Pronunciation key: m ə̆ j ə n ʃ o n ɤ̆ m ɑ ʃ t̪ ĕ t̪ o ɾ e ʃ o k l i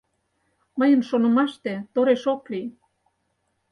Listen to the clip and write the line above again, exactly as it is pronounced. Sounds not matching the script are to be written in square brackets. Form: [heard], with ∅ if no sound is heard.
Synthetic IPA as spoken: m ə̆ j ə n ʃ o n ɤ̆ m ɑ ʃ t̪ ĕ t̪ o ɾ e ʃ o k l i